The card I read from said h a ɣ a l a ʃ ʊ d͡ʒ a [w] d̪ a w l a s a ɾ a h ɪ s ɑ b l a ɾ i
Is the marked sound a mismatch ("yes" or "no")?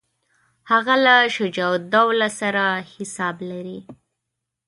no